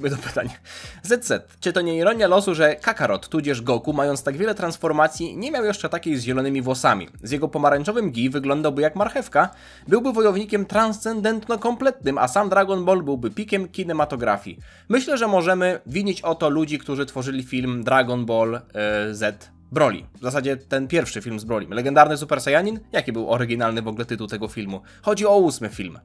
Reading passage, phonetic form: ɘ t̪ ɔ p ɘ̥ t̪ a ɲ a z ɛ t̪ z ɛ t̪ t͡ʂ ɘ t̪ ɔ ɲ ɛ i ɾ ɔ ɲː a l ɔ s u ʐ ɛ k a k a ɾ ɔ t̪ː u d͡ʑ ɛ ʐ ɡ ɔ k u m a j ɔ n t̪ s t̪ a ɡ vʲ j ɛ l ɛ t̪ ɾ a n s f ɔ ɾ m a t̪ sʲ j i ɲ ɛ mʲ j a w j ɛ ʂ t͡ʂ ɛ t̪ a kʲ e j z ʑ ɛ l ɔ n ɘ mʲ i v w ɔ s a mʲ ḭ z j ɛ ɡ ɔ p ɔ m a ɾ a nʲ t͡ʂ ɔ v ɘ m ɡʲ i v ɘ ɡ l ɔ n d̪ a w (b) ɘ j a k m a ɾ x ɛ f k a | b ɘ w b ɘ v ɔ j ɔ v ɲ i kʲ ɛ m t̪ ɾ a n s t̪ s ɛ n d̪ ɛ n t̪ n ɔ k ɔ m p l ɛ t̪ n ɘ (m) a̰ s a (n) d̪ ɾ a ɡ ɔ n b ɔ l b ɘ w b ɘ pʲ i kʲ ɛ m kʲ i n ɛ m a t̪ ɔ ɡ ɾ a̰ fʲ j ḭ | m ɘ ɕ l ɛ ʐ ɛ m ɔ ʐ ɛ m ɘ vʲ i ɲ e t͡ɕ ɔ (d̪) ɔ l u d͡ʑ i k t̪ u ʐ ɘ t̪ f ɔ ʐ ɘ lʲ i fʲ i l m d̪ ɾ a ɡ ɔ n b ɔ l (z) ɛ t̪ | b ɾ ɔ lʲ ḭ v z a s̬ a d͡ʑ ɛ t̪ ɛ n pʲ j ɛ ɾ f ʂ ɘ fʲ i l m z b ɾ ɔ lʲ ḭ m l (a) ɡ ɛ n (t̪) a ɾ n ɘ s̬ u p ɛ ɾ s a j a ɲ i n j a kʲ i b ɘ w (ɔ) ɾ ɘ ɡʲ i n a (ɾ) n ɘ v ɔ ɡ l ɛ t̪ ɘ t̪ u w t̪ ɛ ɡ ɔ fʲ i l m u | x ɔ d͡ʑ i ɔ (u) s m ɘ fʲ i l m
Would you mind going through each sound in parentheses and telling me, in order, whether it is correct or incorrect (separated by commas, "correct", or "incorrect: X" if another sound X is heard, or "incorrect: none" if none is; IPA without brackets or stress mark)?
correct, correct, incorrect: m, incorrect: t̪, correct, incorrect: ɛ, incorrect: d̪, correct, incorrect: l, correct